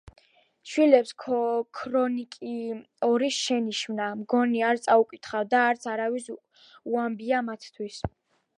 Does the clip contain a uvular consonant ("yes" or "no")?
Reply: yes